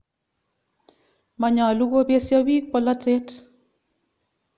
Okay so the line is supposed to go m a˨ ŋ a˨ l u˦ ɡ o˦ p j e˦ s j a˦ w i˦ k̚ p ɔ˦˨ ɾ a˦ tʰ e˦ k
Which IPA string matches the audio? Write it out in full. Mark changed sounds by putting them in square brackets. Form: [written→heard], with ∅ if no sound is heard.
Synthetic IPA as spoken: m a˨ [ŋ→ɲ] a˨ l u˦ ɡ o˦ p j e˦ s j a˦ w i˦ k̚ p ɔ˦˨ [ɾ→l] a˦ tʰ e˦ [k→t]

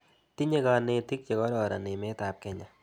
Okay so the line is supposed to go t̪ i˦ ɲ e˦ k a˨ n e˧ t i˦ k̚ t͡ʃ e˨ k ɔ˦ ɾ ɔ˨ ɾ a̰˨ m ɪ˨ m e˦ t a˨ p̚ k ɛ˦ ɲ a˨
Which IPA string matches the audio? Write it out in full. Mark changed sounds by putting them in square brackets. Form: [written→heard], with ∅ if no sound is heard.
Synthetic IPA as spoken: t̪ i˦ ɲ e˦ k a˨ n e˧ t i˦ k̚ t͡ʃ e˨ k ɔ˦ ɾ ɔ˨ ɾ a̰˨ [m→n] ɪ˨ m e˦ t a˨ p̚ k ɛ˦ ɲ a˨

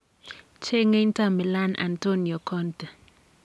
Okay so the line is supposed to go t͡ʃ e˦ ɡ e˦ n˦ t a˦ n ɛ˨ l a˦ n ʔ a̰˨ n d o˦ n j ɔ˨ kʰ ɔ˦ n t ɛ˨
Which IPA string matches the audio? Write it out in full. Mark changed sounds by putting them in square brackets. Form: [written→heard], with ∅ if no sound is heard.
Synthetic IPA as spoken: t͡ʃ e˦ [ɡ→ŋ] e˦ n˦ t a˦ [n→m] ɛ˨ l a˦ n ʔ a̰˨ n [d→t] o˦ n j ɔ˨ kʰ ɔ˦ n t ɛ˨

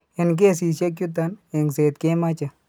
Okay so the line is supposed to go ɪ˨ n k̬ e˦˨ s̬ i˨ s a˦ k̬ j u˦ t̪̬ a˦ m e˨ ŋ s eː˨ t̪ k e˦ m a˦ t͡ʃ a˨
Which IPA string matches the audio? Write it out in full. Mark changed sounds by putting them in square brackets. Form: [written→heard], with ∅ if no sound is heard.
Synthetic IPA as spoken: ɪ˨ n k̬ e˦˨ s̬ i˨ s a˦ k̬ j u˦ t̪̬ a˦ [m→n] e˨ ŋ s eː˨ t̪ k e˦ m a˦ t͡ʃ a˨

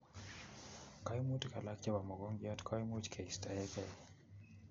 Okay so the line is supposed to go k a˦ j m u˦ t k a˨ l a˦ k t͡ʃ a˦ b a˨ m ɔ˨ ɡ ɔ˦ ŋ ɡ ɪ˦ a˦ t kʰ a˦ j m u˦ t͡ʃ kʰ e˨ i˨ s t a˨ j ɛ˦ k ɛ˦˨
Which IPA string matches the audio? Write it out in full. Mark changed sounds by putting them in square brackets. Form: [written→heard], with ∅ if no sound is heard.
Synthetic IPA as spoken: k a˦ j m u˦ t k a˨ l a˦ k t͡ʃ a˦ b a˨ m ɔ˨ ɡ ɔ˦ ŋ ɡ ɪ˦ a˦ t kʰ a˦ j m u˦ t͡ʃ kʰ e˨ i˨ s t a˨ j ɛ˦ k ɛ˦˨

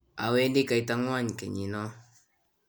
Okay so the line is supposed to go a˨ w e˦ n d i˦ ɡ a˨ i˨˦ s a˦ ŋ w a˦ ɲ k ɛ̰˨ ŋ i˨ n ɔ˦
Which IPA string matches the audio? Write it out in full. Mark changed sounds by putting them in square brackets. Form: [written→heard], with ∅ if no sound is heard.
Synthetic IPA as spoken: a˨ w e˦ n d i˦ [ɡ→k] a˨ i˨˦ [s→t] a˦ ŋ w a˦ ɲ k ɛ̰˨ [ŋ→ɲ] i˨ n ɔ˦

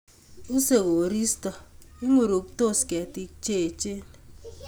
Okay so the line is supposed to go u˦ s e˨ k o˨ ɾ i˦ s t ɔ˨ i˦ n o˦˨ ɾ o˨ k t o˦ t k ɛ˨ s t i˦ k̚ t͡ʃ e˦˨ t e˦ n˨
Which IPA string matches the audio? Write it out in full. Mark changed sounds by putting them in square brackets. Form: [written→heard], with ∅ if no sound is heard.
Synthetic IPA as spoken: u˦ s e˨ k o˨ ɾ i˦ s t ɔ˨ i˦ [n→ŋ] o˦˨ ɾ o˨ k t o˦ [t→s] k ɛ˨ [s→∅] t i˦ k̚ t͡ʃ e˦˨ [t→t͡ʃ] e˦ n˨

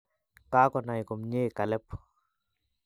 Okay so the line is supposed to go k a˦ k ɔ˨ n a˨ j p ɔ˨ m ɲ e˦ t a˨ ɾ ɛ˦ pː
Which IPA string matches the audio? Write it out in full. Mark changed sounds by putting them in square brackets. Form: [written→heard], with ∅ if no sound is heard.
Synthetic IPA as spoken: k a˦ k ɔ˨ n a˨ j [p→k] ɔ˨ m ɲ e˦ [t→k] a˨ [ɾ→l] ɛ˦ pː

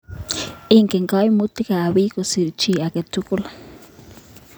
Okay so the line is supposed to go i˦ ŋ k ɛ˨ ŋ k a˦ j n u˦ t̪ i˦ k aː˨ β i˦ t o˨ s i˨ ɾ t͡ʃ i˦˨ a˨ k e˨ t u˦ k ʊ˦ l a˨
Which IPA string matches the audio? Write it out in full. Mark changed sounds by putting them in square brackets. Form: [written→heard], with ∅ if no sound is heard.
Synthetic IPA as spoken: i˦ ŋ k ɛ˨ ŋ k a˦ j [n→m] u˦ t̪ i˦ k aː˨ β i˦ [t→k] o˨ s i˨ ɾ t͡ʃ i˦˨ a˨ k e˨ t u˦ k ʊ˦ l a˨

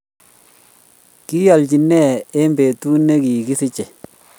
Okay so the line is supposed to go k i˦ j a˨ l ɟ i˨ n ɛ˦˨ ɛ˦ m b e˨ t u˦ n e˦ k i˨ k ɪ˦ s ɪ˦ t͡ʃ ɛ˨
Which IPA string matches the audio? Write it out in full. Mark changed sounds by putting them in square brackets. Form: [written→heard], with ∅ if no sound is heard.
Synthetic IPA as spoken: k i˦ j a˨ l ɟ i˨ n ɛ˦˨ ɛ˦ m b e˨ t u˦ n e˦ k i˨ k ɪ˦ s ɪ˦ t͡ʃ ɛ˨

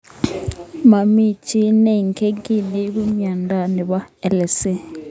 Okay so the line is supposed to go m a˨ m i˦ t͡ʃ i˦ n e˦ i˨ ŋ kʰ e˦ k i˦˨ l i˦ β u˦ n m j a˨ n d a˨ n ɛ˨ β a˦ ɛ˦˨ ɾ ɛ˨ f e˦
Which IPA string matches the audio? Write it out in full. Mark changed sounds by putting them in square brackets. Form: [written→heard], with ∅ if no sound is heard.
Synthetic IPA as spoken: m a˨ m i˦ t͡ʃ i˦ n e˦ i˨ ŋ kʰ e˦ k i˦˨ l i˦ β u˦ [n→∅] m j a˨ n d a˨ n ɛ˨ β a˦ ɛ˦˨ [ɾ→l] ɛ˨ [f→s] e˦

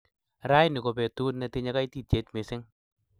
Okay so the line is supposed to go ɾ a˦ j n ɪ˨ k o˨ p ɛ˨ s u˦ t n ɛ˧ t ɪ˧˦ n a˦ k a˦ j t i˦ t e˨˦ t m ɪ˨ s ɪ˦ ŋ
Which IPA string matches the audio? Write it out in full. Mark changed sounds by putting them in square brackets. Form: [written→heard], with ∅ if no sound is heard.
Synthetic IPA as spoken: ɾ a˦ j n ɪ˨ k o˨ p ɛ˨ [s→t] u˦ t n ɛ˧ t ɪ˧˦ [n→ɲ] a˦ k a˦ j t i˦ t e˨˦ t m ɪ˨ s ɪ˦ ŋ

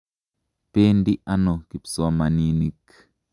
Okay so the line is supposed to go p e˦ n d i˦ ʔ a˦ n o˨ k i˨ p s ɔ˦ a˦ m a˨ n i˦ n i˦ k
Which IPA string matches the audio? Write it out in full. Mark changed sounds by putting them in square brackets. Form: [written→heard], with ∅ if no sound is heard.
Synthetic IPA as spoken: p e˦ n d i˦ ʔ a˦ n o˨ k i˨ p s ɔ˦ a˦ m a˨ n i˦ n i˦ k

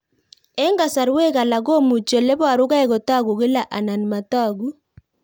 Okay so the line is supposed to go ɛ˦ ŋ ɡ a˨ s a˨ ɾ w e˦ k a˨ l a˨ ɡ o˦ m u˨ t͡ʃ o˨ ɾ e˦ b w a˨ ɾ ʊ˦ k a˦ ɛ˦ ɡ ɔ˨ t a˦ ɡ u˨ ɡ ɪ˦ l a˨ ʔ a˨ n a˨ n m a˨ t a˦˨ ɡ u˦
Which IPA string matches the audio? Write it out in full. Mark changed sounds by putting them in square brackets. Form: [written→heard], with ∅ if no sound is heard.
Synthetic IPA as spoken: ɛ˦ ŋ ɡ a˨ s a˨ ɾ w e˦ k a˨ l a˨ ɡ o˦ m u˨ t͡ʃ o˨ [ɾ→l] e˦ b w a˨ ɾ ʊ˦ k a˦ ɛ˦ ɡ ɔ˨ t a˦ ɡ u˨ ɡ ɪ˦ l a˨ ʔ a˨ n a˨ n m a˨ t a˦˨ ɡ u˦

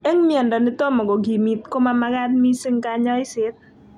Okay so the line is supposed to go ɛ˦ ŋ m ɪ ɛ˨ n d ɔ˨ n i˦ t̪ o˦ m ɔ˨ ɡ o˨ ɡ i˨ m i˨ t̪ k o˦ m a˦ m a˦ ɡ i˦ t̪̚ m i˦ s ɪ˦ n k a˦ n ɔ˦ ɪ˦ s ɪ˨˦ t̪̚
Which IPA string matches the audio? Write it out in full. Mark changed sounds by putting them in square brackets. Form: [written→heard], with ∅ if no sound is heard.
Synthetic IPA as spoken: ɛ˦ ŋ m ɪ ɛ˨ n d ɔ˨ n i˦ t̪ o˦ m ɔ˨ ɡ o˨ ɡ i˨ m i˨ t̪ k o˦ m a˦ m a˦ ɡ [i˦→a˦] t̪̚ m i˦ s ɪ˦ [n→ŋ] k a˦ [n→ɲ] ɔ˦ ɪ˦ s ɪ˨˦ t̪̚

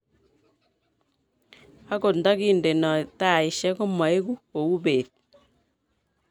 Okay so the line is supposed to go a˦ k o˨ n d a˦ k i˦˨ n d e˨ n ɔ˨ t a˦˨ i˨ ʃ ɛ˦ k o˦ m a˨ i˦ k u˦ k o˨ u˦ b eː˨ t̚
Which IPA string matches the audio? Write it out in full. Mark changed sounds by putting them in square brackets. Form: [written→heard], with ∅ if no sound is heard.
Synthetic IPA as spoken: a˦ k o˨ n d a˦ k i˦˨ n d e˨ n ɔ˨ t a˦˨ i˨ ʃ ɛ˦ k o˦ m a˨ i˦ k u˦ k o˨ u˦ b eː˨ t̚

